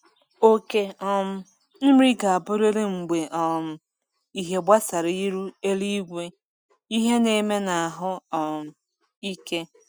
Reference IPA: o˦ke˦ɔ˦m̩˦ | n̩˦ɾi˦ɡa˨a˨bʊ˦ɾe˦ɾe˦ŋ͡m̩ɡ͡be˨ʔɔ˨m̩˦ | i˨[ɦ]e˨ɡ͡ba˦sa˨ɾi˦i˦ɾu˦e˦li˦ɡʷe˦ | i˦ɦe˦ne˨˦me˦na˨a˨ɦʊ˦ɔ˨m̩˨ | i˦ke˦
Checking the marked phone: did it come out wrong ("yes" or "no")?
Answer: no